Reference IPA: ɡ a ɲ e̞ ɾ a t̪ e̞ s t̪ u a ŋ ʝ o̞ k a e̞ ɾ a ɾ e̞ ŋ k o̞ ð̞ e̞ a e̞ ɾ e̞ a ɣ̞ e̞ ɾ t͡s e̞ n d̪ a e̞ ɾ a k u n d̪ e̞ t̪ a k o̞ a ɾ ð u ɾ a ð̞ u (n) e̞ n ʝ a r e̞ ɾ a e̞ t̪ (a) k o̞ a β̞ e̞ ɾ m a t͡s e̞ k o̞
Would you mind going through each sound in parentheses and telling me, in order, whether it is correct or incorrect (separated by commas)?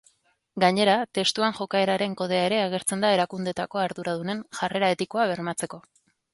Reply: correct, incorrect